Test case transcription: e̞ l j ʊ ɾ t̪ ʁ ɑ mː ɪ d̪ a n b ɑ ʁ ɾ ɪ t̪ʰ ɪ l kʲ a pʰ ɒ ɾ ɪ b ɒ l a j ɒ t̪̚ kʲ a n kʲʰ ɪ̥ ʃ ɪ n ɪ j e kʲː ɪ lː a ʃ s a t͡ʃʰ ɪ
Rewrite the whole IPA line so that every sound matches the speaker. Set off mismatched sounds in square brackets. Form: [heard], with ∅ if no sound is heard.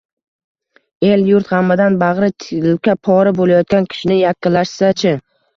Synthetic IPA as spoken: e̞ l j ʊ ɾ t̪ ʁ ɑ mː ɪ d̪ a n b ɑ ʁ ɾ ɪ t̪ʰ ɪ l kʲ a pʰ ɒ ɾ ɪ b [o] l a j ɒ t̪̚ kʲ a n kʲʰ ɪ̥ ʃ ɪ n ɪ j [a] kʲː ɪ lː a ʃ s a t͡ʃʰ ɪ